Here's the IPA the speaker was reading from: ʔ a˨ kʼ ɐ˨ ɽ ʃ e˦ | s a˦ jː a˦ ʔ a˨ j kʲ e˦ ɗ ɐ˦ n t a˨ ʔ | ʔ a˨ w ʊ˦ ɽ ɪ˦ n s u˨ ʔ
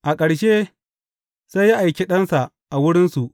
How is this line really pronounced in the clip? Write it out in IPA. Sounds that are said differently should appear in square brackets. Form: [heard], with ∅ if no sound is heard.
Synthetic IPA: ʔ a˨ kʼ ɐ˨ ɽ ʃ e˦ | s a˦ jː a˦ ʔ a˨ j kʲ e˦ ɗ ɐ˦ n [s] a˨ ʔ | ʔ a˨ w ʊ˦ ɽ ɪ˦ n s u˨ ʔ

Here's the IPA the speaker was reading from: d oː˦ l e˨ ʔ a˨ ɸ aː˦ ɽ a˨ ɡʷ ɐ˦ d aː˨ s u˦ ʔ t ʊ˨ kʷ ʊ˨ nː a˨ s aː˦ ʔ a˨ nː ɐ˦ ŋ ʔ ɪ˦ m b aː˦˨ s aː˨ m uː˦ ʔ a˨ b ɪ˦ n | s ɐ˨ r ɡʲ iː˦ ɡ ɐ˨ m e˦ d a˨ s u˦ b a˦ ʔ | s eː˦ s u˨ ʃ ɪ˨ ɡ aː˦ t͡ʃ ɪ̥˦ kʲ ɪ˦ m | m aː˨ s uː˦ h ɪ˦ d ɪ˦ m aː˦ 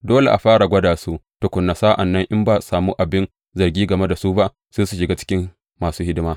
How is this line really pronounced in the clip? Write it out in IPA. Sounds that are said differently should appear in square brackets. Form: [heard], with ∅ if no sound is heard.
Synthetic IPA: d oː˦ l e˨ ʔ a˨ ɸ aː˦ ɽ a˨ ɡʷ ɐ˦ d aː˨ s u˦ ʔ t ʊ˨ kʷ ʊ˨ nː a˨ s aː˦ ʔ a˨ nː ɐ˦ ŋ ʔ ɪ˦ m b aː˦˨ s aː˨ m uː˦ ʔ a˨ b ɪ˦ n | [z] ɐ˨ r ɡʲ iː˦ ɡ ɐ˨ m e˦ d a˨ s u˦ b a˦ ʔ | s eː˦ s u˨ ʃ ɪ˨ ɡ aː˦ t͡ʃ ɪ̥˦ kʲ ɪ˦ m | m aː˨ s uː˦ h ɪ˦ d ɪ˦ m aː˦

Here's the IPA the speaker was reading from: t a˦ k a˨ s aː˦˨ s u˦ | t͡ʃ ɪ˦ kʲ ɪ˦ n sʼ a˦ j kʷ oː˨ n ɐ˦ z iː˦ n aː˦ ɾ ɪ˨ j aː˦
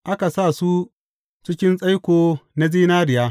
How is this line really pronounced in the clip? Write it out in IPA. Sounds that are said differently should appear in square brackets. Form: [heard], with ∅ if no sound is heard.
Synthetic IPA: [ʔ] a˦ k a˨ s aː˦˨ s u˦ | t͡ʃ ɪ˦ kʲ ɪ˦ n sʼ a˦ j kʷ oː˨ n [a˦] z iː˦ n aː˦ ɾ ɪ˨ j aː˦

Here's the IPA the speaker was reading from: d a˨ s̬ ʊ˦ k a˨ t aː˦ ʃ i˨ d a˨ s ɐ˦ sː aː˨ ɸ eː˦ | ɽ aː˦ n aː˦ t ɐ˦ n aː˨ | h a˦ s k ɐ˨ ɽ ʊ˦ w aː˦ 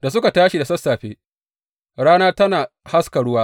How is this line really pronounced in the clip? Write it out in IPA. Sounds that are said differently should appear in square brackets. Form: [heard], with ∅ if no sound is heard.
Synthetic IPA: d a˨ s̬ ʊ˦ k a˨ t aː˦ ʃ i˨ d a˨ s ɐ˦ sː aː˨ ɸ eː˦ | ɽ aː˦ n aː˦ t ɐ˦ n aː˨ | h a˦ s k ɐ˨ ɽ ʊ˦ w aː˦

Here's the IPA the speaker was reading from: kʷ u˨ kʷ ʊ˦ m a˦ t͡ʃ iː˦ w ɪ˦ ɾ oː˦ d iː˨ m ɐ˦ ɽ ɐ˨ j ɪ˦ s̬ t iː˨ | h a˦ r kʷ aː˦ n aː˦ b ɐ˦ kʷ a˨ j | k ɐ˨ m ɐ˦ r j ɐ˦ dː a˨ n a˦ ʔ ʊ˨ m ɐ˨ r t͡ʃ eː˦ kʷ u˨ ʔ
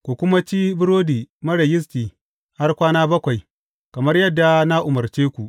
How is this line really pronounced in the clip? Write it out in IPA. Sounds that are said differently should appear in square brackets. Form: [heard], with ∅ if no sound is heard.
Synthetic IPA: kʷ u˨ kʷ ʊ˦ m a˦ t͡ʃ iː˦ [b] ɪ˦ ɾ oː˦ d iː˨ m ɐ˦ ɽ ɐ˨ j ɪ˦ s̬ t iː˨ | h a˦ r kʷ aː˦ n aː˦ b ɐ˦ kʷ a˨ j | k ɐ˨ m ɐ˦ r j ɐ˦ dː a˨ n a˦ ʔ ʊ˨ m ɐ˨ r t͡ʃ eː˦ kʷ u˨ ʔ

